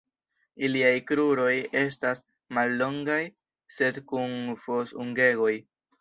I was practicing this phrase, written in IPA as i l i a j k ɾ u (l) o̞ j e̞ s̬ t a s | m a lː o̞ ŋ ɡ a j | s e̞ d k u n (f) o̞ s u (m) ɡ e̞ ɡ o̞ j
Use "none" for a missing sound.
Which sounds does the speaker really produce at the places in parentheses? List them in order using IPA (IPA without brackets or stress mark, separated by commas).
ɾ, f, ŋ